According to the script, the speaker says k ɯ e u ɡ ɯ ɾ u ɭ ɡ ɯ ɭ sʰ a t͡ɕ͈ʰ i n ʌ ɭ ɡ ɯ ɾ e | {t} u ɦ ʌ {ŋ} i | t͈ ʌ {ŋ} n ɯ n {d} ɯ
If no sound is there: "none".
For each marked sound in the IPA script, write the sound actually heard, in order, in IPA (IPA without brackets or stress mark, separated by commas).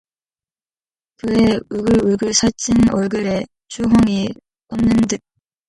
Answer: t͡ɕ, ŋ, m, d